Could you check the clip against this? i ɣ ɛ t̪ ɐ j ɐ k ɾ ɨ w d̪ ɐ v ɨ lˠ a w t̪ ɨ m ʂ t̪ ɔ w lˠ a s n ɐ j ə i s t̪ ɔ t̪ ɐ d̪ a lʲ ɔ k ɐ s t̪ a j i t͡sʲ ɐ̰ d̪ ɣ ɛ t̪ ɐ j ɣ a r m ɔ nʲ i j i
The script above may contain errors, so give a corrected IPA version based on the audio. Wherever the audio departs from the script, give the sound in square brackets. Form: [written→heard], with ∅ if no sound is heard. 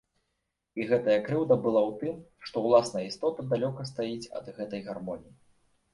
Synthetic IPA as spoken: i ɣ ɛ t̪ ɐ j ɐ k ɾ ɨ w d̪ ɐ [v→b] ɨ lˠ a w t̪ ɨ m ʂ t̪ ɔ w lˠ a s n ɐ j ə i s t̪ ɔ t̪ ɐ d̪ a lʲ ɔ k ɐ s t̪ a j i t͡sʲ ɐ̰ d̪ ɣ ɛ t̪ ɐ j ɣ a r m ɔ nʲ i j i